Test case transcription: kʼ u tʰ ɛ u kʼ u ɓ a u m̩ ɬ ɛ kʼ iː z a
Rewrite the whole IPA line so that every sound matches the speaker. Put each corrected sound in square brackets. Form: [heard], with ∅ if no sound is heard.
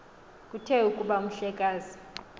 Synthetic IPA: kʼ u tʰ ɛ u kʼ u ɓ a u m̩ ɬ ɛ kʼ [aː] z [i]

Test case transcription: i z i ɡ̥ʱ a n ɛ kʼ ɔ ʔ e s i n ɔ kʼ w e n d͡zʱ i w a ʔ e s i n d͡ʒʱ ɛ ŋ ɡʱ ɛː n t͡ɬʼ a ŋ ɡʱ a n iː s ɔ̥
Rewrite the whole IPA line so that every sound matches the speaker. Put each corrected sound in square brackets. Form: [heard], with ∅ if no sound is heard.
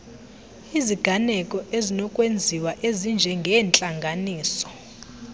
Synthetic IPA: i z i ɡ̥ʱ a n ɛ kʼ ɔ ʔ e [z] i n ɔ kʼ w e n d͡zʱ i w a ʔ e [z] i n d͡ʒʱ ɛ ŋ ɡʱ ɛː n t͡ɬʼ a ŋ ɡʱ a n iː s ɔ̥

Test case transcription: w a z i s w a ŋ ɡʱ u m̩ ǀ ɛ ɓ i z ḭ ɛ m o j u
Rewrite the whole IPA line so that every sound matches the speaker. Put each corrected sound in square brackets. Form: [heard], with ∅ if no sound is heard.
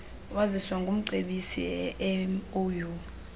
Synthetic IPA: w a z i s w a ŋ ɡʱ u m̩ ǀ [e] ɓ i [s] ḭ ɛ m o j u

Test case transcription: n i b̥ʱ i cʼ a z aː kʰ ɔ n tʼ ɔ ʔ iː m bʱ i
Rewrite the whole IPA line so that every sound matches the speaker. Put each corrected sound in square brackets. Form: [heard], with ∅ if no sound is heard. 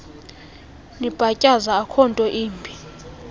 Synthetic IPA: n i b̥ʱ [a] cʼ a z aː kʰ ɔ n tʼ ɔ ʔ iː m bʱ i

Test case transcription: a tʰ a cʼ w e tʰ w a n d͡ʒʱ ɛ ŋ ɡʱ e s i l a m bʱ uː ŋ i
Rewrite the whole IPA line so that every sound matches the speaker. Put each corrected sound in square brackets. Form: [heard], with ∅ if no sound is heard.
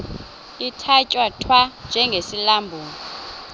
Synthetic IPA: [i] tʰ a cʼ w [a] tʰ w a n d͡ʒʱ ɛ ŋ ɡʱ e s i l a m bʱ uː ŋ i

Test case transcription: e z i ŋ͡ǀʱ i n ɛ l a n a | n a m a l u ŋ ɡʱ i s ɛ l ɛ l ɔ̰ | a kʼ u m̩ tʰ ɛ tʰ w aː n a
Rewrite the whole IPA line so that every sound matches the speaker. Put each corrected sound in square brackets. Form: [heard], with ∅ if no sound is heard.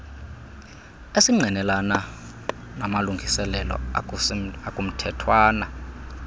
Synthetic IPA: e [s] i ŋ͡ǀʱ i n ɛ l a n a | n a m a l u ŋ ɡʱ i s ɛ l ɛ l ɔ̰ | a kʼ u m̩ tʰ ɛ tʰ w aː n a

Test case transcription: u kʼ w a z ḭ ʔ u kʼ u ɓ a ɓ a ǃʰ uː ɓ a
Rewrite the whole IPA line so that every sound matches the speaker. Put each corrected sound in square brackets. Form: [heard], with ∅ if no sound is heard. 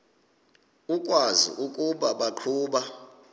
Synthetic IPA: u kʼ w a z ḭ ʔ u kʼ u ɓ a ɓ a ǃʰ uː ɓ a

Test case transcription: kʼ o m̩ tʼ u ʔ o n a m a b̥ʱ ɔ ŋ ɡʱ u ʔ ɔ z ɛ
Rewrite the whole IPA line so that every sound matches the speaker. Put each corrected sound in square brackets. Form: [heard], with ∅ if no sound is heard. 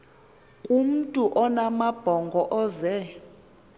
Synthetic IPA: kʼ [u] m̩ tʼ u ʔ [ɔ] n a m a b̥ʱ ɔ ŋ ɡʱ [ɔ] ʔ ɔ z ɛ

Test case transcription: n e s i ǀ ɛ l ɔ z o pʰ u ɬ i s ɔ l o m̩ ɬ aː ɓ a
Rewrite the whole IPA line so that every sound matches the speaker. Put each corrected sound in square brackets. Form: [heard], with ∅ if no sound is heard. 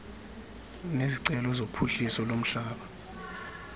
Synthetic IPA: n e [z] i ǀ ɛ l ɔ z o pʰ u ɬ i s ɔ l o m̩ ɬ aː ɓ a

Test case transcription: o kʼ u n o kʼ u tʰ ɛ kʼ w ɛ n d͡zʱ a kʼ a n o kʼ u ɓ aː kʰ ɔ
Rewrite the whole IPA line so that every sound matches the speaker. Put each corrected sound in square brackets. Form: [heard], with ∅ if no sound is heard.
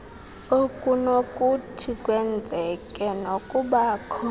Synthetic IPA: o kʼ u n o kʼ u tʰ [i] kʼ w ɛ n d͡zʱ [ɛ] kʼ [ɛ] n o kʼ u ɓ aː kʰ ɔ

